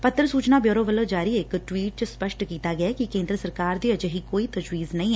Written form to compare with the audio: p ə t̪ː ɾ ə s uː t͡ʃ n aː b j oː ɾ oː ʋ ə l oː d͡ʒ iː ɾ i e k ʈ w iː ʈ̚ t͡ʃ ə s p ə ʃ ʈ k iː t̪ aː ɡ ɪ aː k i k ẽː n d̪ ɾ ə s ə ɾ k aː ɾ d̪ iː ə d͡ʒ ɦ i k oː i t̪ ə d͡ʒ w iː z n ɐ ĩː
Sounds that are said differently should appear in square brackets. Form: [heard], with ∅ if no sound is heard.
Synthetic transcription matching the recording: p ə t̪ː ɾ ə s uː t͡ʃ n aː b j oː ɾ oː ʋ ə l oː d͡ʒ [aː] ɾ i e k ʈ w iː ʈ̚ t͡ʃ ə s p ə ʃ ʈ k iː t̪ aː ɡ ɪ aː k i k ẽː n d̪ ɾ ə s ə ɾ k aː ɾ d̪ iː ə d͡ʒ ɦ i k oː i t̪ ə d͡ʒ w iː z n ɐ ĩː